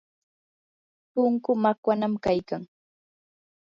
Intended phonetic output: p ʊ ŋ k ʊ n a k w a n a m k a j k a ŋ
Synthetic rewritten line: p ʊ ŋ k ʊ m a k w a n a m k a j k a ŋ